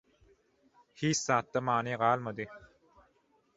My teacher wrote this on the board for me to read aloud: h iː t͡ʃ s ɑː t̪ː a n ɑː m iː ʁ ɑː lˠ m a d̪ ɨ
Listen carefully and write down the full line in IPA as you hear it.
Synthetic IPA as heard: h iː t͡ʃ s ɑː t̪ː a m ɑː n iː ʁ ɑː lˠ m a d̪ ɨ